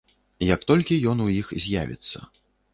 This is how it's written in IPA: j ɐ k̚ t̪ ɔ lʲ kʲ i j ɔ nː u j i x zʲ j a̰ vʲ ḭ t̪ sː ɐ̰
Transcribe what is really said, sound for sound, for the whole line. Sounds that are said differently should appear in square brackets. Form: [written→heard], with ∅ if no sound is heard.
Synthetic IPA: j ɐ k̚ t̪ ɔ lʲ kʲ i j ɔ [nː→n] u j i x zʲ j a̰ vʲ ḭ t̪ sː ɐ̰